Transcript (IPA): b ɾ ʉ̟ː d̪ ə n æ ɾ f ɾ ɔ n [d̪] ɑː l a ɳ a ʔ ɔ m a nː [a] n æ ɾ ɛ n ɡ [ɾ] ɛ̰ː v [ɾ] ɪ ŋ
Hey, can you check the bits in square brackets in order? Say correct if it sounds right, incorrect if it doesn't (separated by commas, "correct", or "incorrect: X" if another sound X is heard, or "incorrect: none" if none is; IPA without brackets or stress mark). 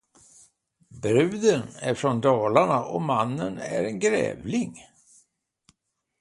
correct, incorrect: ə, correct, incorrect: l